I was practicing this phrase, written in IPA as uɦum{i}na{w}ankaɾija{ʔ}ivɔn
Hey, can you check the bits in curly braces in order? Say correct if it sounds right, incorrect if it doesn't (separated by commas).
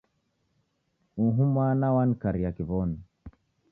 incorrect, correct, incorrect